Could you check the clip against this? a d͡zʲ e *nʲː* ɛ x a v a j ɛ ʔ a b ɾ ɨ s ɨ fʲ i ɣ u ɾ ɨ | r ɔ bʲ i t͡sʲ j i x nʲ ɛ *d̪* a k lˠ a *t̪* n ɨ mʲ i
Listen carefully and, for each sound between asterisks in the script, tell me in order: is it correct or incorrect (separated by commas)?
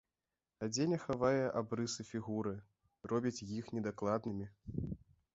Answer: incorrect, correct, incorrect